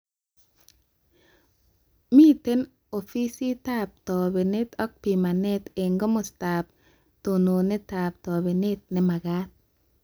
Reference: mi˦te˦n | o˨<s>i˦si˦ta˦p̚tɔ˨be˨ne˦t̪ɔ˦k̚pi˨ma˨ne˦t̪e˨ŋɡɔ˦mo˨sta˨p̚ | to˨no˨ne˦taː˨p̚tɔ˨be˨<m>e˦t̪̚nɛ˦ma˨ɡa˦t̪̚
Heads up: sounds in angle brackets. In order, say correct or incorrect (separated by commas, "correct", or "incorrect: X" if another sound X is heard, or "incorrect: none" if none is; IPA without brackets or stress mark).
incorrect: f, incorrect: n